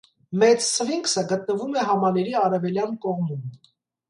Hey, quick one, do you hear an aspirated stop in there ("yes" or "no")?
no